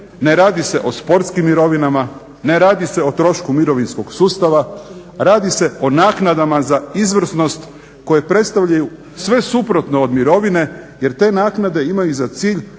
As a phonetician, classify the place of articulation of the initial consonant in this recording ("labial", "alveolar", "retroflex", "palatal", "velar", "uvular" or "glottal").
alveolar